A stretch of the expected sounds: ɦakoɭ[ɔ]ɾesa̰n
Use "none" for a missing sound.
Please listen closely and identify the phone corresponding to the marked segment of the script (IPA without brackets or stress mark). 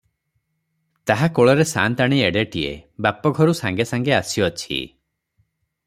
ɔ